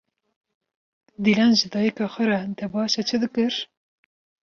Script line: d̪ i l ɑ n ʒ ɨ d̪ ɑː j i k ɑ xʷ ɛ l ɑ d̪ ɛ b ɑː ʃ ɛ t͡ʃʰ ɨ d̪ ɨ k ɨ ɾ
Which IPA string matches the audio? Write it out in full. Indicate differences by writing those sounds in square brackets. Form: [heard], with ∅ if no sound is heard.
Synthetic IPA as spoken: d̪ i l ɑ n ʒ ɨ d̪ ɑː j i k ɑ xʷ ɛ [ɾ] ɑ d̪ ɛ b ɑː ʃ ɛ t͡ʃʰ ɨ d̪ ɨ k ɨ ɾ

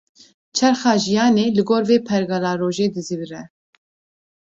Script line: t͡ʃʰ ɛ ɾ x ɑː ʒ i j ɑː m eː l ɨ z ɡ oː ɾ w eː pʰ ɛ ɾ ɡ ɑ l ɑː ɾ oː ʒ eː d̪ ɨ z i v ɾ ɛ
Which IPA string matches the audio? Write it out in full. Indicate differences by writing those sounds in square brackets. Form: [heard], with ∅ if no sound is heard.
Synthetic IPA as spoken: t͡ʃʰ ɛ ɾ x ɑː ʒ i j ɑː [n] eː l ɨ [∅] ɡ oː ɾ [v] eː pʰ ɛ ɾ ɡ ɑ l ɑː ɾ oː ʒ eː d̪ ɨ z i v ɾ ɛ

